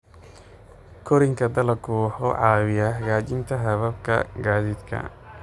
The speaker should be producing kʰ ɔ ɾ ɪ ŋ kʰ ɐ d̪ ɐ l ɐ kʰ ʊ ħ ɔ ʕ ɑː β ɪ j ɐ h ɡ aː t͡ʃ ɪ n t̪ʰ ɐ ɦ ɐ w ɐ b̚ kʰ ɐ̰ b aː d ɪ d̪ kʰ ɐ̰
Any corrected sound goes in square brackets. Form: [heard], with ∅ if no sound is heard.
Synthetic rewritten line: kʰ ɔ ɾ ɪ ŋ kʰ ɐ d̪ ɐ l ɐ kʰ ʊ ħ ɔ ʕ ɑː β ɪ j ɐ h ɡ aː t͡ʃ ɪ n t̪ʰ ɐ ɦ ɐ [β] ɐ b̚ kʰ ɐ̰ [ɡ] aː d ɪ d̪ kʰ ɐ̰